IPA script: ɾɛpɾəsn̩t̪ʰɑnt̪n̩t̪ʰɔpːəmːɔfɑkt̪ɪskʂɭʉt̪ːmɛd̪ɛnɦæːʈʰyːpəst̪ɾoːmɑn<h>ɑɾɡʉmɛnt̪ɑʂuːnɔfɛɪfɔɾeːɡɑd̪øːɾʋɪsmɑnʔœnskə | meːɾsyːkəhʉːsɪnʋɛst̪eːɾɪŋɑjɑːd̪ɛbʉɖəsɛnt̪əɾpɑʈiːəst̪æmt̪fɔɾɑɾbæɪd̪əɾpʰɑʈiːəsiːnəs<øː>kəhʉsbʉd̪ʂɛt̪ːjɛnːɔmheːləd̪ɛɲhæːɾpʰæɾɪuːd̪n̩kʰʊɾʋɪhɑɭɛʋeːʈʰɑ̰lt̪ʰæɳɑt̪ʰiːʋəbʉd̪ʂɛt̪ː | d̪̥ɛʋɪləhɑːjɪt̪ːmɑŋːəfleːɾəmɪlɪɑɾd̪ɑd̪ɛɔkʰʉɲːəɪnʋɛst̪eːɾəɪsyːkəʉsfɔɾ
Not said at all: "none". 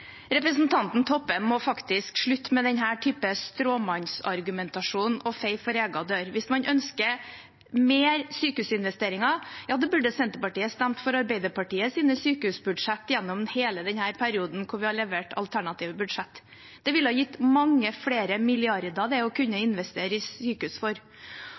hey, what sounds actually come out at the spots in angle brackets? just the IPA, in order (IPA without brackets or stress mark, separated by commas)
s, yː